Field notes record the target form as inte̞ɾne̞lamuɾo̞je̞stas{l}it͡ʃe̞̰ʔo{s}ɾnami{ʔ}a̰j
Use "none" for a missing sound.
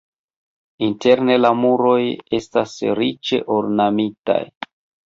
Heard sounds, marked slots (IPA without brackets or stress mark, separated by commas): ɾ, none, t